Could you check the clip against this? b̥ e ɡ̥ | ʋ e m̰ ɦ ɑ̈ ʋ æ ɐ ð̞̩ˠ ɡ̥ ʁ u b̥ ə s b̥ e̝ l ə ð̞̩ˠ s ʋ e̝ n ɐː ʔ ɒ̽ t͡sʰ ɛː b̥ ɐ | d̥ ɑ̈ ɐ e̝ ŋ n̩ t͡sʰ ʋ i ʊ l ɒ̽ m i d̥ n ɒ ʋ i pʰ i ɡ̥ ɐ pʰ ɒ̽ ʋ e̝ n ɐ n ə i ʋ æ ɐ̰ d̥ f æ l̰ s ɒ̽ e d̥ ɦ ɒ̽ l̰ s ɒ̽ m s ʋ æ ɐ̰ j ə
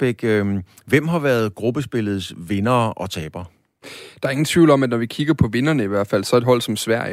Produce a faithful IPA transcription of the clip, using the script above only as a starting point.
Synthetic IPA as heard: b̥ e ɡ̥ | ʋ e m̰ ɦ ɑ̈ ʋ æ ɐ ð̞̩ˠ ɡ̥ ʁ u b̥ ə s b̥ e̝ l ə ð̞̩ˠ s ʋ e̝ n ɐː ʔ ɒ̽ t͡sʰ ɛː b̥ ɐ | d̥ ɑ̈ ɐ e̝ ŋ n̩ t͡sʰ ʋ i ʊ l ɒ̽ m æ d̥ n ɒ ʋ i kʰ i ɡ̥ ɐ pʰ ɒ̽ ʋ e̝ n ɐ n ə i ʋ æ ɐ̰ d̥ f æ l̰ s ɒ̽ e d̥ ɦ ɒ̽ l̰ s ɒ̽ m s ʋ æ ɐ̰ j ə